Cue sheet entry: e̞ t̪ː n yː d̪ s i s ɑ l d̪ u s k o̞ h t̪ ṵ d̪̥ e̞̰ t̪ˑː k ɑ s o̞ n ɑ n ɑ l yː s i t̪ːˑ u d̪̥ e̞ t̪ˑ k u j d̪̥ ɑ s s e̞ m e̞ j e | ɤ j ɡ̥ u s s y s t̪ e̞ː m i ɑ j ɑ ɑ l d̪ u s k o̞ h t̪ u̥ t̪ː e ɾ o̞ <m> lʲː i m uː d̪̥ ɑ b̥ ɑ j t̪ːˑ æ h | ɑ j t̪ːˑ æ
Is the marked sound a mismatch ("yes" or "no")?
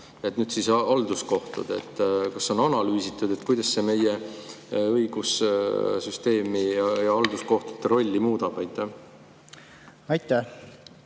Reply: yes